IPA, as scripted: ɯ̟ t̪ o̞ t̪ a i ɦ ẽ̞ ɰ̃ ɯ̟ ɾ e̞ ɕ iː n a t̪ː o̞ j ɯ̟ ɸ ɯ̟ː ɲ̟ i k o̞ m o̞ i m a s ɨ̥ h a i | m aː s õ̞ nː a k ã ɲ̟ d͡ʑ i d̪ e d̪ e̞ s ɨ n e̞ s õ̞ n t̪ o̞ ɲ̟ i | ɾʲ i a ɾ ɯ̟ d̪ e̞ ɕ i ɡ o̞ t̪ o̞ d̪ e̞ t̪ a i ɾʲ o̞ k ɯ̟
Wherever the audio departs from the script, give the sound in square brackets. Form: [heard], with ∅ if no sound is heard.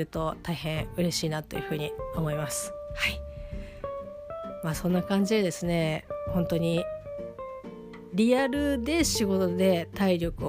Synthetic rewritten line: ɯ̟ t̪ o̞ t̪ a i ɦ ẽ̞ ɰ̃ ɯ̟ ɾ e̞ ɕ iː n a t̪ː o̞ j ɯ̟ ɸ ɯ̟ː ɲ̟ i [∅] o̞ m o̞ i m a s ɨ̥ h a i | m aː s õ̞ nː a k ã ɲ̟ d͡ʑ i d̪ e d̪ e̞ s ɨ n e̞ [h] õ̞ n t̪ o̞ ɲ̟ i | ɾʲ i a ɾ ɯ̟ d̪ e̞ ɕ i ɡ o̞ t̪ o̞ d̪ e̞ t̪ a i ɾʲ o̞ k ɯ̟